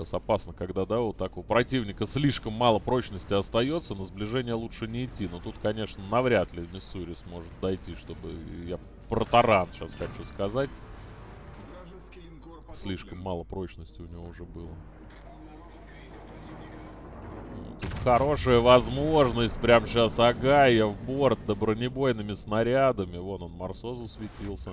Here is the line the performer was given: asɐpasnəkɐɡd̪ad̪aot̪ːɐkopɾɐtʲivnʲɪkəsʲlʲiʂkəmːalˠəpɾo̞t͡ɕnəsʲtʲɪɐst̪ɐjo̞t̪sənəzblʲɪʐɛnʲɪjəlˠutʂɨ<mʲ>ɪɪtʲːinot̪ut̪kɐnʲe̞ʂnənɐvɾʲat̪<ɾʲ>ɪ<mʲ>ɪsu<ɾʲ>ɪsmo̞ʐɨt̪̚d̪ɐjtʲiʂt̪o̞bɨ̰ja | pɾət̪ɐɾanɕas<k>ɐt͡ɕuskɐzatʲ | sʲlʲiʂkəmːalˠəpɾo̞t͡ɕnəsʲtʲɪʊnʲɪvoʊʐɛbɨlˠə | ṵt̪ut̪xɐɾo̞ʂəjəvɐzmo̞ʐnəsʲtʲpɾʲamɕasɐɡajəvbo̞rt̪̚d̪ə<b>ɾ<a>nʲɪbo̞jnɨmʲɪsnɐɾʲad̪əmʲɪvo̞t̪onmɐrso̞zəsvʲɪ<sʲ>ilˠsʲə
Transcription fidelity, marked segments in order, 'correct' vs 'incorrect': incorrect: nʲ, incorrect: lʲ, correct, correct, incorrect: x, correct, incorrect: ə, incorrect: tʲ

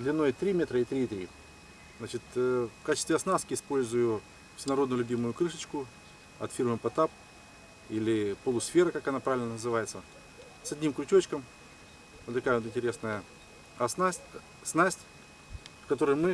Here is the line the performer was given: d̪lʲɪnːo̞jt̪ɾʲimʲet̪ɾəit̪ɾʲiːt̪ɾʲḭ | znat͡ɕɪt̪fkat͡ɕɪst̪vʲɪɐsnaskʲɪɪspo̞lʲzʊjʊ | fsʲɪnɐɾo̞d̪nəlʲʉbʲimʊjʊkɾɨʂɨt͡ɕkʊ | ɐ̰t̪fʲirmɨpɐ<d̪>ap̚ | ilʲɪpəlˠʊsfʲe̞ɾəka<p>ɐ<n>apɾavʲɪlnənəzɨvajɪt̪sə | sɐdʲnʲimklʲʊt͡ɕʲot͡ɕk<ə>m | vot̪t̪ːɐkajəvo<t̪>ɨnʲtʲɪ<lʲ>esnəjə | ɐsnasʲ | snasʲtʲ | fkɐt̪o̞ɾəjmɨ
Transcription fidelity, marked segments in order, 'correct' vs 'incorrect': incorrect: t̪, incorrect: k, correct, correct, correct, incorrect: ɾʲ

